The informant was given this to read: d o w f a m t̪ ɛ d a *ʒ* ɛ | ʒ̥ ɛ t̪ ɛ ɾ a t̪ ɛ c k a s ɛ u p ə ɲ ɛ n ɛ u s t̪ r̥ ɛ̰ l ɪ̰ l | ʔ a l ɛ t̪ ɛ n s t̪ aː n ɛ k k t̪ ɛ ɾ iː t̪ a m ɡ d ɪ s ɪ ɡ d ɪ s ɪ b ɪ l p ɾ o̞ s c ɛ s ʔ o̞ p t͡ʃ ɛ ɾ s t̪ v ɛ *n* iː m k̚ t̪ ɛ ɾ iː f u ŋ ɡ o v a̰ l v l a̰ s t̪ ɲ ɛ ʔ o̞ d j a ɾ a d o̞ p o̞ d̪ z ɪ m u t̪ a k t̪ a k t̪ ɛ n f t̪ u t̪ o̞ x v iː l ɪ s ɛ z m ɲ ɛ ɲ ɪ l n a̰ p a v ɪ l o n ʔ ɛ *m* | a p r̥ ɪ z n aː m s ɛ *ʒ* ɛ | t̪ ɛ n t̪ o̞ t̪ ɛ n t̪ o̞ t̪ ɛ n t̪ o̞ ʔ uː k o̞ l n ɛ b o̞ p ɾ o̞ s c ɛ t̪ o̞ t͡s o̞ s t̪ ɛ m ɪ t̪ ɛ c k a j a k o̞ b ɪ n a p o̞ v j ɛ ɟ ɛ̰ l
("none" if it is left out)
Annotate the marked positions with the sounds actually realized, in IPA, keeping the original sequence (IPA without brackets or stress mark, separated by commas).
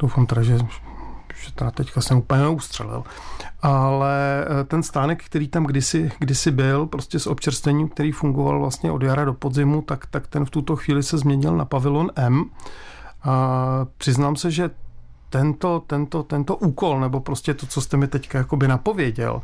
ʒ, ɲ, m, ʒ